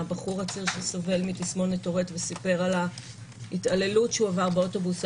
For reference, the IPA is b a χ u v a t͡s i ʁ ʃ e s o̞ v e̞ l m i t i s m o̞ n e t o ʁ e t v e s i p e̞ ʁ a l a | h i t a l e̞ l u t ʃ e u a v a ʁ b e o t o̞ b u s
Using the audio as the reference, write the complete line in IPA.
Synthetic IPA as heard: b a χ u ʁ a t͡s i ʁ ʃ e s o̞ v e̞ l m i t i s m o̞ n e t o ʁ e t v e s i p e̞ ʁ a l a | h i t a l e̞ l u t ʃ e u a v a ʁ b e o t o̞ b u s